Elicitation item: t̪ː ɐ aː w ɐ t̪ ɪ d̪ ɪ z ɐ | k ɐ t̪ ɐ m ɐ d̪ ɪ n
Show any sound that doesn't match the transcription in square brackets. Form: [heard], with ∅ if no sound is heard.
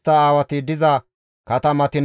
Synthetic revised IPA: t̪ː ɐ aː w ɐ t̪ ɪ d̪ ɪ z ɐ | k ɐ t̪ ɐ m ɐ [t̪] ɪ n